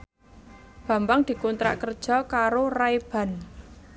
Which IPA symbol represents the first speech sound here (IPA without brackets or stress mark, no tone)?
b̥